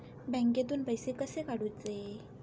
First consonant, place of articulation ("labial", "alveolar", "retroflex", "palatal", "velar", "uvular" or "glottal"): labial